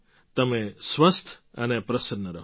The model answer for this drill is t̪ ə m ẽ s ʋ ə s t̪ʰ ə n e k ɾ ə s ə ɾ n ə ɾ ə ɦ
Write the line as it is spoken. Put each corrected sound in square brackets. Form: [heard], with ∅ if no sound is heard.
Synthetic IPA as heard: t̪ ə m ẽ s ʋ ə s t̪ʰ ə n e [p] ɾ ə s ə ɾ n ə ɾ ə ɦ